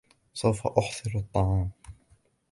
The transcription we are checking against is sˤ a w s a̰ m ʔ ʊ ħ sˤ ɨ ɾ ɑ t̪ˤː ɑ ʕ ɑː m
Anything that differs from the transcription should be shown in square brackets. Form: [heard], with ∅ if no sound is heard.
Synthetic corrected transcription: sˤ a w [f] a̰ [∅] ʔ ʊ ħ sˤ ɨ ɾ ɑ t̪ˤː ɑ ʕ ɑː m